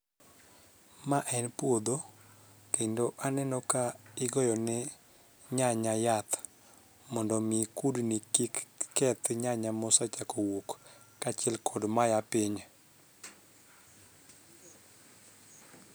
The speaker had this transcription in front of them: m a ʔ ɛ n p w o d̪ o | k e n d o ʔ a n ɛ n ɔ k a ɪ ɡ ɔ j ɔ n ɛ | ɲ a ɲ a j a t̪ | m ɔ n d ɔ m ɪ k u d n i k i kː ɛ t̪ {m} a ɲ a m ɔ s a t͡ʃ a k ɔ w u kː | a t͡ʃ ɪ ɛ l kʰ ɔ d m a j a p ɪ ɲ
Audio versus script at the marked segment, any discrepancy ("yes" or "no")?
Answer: yes